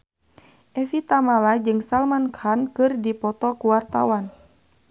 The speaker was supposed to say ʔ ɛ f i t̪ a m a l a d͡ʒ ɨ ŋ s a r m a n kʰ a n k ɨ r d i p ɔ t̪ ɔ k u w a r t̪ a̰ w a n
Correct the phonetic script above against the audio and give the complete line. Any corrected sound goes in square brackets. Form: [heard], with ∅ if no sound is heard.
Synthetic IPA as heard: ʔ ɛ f i t̪ a m a l a d͡ʒ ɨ ŋ s a [l] m a n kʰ a n k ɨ r d i p ɔ t̪ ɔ k u w a r t̪ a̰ w a n